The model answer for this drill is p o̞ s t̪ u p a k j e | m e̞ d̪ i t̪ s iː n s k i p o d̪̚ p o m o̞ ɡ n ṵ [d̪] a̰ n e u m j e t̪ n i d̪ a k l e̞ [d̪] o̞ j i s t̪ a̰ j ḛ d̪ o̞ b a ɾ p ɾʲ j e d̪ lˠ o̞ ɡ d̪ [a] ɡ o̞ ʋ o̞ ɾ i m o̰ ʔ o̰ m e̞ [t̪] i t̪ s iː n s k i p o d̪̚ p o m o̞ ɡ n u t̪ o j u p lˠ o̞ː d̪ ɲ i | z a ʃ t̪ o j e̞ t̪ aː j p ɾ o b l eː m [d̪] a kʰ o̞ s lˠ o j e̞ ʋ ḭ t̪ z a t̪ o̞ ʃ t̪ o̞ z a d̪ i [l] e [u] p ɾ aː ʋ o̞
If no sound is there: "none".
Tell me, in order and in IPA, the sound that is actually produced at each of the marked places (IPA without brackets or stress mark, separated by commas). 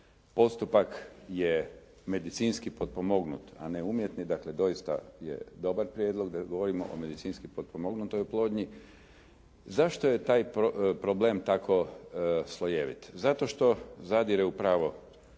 t̪, d̪, a, d̪, t̪, ɾ, u